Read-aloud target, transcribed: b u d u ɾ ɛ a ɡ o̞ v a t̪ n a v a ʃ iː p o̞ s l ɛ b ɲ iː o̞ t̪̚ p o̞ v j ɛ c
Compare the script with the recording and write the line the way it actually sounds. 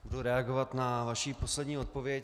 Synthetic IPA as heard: b u d u ɾ ɛ a ɡ o̞ v a t̪ n a v a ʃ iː p o̞ s l ɛ d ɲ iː o̞ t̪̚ p o̞ v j ɛ c